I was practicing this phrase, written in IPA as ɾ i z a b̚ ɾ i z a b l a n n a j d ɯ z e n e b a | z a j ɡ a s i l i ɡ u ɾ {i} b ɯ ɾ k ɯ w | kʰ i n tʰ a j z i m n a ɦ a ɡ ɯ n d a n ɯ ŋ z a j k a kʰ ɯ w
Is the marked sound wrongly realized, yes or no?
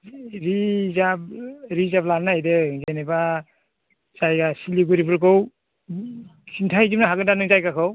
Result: no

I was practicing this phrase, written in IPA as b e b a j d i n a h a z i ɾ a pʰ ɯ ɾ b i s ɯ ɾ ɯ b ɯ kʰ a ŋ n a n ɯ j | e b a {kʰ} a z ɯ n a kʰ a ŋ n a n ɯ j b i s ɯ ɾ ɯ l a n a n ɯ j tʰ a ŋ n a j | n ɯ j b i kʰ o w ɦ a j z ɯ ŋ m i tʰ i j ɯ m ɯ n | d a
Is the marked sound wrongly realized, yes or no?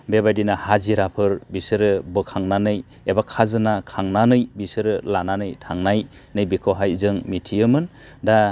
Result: no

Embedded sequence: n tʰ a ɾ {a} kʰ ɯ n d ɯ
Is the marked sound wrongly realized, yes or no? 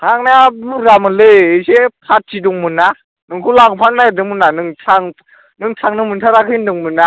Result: no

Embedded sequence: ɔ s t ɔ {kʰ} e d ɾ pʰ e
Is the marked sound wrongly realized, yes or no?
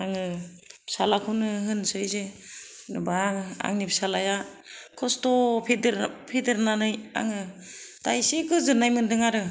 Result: yes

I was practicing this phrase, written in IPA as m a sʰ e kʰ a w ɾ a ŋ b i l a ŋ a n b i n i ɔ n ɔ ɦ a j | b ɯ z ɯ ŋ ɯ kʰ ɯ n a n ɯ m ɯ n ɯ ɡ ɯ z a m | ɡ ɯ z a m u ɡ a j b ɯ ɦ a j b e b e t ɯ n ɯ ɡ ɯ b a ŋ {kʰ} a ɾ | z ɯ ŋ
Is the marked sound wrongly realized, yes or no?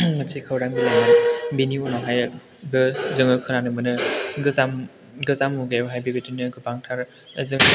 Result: yes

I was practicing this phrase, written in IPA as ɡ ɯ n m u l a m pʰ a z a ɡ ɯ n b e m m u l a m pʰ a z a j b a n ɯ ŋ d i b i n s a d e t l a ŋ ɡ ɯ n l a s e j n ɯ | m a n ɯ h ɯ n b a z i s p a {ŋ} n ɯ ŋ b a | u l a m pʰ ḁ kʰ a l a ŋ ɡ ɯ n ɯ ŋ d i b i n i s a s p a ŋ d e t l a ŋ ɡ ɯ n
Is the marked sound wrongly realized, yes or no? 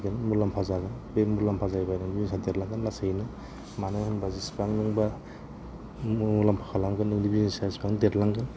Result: no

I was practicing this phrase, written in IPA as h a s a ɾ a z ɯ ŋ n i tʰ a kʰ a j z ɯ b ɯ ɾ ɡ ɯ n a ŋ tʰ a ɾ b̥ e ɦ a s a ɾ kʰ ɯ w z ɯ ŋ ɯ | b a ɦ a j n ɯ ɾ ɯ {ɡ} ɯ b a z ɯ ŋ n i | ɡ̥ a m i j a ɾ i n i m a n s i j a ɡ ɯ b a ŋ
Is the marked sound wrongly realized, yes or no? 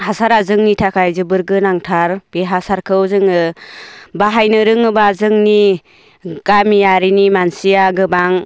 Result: yes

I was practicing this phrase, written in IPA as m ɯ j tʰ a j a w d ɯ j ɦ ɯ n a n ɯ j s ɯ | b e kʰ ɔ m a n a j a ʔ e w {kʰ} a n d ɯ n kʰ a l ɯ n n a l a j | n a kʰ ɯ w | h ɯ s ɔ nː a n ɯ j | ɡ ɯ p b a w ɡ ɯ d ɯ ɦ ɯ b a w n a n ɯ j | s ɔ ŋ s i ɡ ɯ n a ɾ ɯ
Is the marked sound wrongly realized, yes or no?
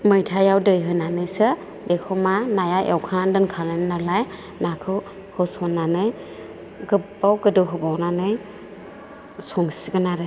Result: no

